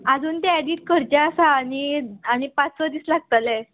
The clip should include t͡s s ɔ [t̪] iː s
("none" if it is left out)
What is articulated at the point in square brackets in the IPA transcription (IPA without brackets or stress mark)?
d̪